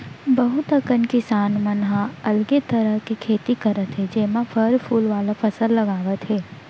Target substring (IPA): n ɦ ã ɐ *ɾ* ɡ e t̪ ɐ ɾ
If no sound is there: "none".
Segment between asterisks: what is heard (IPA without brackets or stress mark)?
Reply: l